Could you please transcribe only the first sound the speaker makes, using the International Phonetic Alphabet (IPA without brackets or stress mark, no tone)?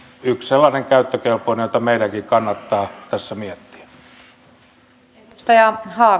y